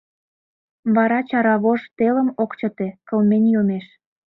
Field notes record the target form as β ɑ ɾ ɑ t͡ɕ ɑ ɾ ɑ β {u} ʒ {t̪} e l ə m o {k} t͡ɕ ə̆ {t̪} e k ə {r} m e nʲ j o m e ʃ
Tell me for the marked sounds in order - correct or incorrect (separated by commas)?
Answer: incorrect, correct, correct, correct, incorrect